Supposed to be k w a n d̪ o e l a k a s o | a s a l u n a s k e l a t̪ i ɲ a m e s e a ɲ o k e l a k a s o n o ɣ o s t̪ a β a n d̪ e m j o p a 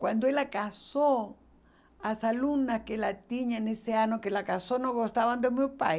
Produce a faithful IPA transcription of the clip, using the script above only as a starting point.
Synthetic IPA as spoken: k w a n d̪ o e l a k a s o | a s a l u n a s k e l a t̪ i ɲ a n e s e a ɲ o k e l a k a s o n o ɣ o s t̪ a β a n d̪ e m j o p a